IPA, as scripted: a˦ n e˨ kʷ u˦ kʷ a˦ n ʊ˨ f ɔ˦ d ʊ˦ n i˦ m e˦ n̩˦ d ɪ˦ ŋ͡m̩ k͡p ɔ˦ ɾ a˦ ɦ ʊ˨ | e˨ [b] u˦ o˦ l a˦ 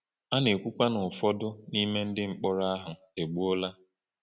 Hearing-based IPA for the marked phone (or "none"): ɡ͡b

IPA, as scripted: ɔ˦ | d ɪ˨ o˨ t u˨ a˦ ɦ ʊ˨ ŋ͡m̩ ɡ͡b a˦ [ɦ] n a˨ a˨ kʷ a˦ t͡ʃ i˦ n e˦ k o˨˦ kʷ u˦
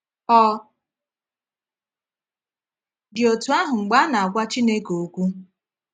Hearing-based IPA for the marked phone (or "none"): none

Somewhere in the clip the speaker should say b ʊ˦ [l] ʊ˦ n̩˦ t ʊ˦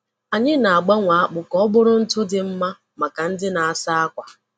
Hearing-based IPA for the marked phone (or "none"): ɾ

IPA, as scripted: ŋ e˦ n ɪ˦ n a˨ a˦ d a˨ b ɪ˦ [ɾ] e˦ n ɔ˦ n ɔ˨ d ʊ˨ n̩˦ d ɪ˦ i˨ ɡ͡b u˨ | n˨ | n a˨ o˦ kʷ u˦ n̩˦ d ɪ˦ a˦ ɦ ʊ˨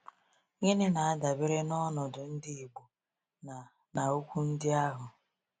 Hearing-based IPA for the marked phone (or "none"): ɾ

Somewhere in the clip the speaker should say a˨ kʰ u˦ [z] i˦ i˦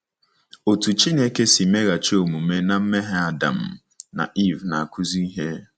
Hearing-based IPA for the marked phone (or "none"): z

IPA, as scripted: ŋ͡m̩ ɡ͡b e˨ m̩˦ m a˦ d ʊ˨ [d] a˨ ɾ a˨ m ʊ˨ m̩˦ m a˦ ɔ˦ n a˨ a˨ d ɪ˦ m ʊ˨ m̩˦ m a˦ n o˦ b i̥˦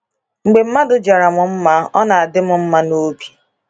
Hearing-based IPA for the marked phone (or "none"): d͡ʒ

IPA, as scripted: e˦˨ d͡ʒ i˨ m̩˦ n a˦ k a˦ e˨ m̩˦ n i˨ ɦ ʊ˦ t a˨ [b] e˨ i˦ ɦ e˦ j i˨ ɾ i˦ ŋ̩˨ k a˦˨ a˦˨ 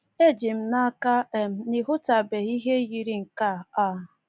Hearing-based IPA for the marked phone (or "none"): b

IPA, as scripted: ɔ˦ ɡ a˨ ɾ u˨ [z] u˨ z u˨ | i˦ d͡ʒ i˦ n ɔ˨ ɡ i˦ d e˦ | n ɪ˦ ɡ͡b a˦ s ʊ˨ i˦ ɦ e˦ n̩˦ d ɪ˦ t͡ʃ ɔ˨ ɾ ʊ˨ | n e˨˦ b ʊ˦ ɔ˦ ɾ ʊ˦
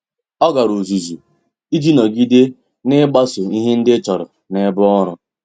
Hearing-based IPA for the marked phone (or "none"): z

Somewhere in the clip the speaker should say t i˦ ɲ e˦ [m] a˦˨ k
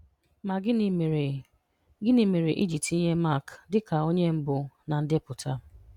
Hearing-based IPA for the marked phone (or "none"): m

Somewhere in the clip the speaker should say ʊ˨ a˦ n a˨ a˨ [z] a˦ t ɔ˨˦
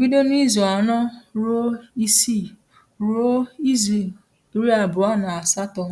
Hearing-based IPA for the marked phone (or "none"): s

